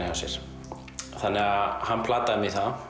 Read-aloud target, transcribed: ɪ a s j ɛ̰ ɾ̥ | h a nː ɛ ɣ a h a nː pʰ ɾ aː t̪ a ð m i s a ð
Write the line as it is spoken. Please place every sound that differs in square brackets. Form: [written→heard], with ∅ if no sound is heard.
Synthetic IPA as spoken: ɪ a s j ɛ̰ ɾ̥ | [h→θ] a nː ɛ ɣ a h a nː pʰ [ɾ→l] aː t̪ a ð m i [s→θ] a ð